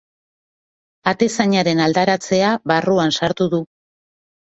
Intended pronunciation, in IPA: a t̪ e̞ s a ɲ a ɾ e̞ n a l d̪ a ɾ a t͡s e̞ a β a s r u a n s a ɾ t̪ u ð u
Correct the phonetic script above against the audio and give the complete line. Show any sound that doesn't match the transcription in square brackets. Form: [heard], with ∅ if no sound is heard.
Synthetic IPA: a t̪ e̞ s a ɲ a ɾ e̞ n a l d̪ a ɾ a t͡s e̞ a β a [∅] r u a n s a ɾ t̪ u ð u